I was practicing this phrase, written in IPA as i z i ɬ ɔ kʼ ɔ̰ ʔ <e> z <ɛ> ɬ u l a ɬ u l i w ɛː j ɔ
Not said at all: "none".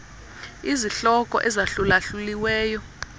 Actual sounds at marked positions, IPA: ɛ, a

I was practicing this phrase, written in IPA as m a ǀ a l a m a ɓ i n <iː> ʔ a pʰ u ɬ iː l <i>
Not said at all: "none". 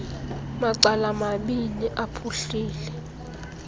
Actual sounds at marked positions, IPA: i, ɛ

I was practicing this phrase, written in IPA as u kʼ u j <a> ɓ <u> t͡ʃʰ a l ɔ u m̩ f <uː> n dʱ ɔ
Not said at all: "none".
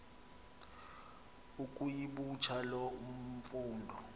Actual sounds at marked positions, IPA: i, u, uː

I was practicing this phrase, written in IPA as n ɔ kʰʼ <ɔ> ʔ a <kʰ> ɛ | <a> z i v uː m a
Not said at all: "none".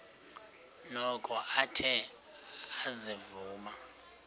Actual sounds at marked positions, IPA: ɔ, tʰ, a

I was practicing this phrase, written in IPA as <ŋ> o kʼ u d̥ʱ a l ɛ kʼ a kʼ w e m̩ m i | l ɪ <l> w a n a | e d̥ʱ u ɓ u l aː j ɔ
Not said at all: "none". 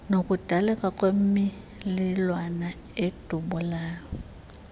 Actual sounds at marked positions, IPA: n, l

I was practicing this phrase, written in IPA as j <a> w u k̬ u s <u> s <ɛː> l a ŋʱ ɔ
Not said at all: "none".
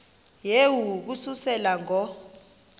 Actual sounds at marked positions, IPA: e, u, ɛ

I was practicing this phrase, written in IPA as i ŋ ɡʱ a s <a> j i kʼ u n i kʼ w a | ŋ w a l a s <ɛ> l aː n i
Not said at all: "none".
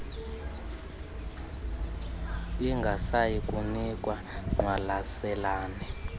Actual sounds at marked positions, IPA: a, ɛ

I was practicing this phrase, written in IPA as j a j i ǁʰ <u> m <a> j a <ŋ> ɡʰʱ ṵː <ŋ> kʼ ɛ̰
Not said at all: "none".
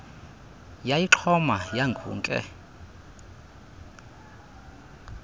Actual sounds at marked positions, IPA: ɔ, a, ŋ, ŋ

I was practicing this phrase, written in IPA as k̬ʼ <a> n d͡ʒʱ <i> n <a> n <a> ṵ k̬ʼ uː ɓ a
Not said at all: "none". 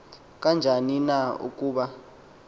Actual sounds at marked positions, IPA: a, a, i, a

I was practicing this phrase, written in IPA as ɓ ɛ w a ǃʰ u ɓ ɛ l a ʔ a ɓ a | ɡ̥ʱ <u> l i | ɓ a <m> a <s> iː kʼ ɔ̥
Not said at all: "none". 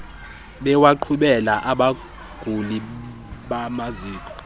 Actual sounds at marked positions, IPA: u, m, z

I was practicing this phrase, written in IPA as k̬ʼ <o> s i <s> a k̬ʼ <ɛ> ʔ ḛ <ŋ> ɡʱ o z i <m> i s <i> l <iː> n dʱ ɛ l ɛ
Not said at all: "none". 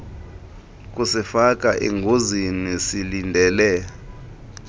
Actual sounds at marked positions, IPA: u, f, a, ŋ, n, i, i

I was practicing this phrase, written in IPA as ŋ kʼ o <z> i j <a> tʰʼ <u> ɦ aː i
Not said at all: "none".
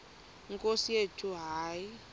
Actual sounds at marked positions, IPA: s, e, u

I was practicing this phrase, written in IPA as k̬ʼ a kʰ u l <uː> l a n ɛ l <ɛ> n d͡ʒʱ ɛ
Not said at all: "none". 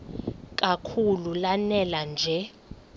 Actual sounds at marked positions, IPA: u, a

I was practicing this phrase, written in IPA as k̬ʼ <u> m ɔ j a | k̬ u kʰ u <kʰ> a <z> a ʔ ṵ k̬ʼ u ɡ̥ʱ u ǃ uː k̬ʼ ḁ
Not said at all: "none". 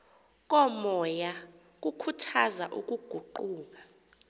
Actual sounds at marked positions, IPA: ɔ, tʰ, z

